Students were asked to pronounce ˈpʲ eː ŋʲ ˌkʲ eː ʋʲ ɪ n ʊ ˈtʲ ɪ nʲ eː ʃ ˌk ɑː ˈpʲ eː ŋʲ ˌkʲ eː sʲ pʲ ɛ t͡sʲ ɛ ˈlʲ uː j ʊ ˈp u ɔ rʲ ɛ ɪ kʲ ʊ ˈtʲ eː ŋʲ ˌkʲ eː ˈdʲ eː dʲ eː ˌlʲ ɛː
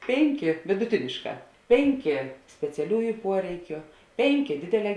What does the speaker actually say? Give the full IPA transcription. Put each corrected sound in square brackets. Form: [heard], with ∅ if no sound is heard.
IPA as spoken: ˈpʲ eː ŋʲ ˌkʲ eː ʋʲ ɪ [d] ʊ ˈtʲ ɪ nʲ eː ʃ ˌk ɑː ˈpʲ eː ŋʲ ˌkʲ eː sʲ pʲ ɛ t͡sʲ ɛ ˈlʲ uː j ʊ ˈp u ɔ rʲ ɛ ɪ kʲ ʊ [ˈpʲ] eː ŋʲ ˌkʲ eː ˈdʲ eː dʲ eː ˌlʲ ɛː